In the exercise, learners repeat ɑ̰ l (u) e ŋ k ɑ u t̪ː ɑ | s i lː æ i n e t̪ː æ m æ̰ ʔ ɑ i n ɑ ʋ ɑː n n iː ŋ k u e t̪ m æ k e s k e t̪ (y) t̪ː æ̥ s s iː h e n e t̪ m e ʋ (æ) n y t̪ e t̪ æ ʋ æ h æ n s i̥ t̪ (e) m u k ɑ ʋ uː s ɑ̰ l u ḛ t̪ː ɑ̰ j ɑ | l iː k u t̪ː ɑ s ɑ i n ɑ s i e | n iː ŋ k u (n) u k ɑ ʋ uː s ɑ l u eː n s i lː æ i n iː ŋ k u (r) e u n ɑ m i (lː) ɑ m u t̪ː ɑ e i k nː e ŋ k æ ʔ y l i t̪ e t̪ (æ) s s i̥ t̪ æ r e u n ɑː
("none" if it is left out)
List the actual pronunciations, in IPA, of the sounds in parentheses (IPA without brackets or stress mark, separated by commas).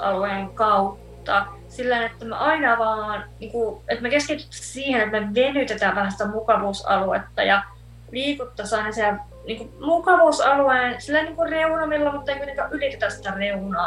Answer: u, y, e, æ, m, r, lː, æ